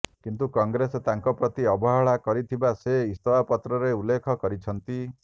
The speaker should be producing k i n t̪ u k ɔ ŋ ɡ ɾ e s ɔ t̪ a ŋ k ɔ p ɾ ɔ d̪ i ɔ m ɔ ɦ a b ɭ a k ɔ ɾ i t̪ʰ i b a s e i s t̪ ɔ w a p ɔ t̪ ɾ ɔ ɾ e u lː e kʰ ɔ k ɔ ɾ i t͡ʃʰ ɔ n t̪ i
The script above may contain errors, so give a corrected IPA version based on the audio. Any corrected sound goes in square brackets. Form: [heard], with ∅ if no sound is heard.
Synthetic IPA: k i n t̪ u k ɔ ŋ ɡ ɾ e s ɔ t̪ a ŋ k ɔ p ɾ ɔ [t̪] i ɔ [b] ɔ ɦ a [∅] ɭ a k ɔ ɾ i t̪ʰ i b a s e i s t̪ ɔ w a p ɔ t̪ ɾ ɔ ɾ e u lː e kʰ ɔ k ɔ ɾ i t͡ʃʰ ɔ n t̪ i